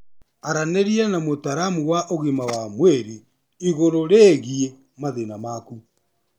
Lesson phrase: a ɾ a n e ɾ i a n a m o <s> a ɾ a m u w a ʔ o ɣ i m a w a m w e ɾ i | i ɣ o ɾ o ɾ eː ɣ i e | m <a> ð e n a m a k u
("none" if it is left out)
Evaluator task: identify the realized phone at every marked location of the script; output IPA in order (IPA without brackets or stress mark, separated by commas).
t, a